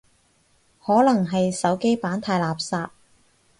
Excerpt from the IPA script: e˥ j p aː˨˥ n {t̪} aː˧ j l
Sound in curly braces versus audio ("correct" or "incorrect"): incorrect